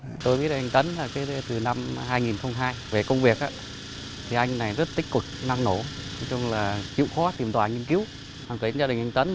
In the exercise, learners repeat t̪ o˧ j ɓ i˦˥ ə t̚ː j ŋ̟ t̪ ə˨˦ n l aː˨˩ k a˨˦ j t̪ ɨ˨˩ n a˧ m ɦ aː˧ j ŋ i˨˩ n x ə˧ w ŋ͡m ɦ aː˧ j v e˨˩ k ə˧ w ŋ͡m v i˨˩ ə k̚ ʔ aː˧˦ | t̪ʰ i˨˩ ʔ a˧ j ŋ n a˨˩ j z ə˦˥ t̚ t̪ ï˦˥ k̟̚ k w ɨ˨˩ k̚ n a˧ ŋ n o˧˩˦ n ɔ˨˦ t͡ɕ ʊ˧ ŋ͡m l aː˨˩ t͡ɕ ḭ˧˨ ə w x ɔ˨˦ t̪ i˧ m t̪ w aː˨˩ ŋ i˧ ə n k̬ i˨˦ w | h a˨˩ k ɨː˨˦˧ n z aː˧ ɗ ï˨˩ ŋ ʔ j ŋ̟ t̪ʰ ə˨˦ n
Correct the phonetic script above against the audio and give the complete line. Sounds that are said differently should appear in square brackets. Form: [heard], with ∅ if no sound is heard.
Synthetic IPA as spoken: t̪ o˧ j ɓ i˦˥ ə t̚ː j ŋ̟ t̪ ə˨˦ n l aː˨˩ k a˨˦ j t̪ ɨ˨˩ n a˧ m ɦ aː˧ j ŋ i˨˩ n x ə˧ w ŋ͡m ɦ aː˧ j v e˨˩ k ə˧ w ŋ͡m v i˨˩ ə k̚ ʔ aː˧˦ | t̪ʰ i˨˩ ʔ a˧ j ŋ n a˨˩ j z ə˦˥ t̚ t̪ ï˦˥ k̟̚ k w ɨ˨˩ k̚ n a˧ ŋ n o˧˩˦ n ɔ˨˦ t͡ɕ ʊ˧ ŋ͡m l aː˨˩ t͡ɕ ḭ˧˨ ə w x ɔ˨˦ t̪ [i˨˩] m t̪ w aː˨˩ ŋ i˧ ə n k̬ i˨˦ w | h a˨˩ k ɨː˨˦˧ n z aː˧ ɗ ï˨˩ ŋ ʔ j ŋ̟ [t̪] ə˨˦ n